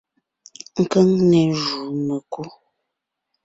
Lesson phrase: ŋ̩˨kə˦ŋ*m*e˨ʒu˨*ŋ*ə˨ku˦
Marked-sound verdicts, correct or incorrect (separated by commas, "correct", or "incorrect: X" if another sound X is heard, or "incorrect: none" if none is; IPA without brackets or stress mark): incorrect: n, incorrect: n